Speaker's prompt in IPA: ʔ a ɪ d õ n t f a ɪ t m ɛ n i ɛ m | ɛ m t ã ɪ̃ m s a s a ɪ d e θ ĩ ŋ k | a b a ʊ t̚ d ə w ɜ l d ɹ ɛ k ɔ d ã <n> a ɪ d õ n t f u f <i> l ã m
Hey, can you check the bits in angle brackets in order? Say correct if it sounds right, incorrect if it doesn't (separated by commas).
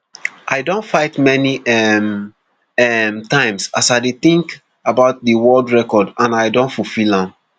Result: correct, correct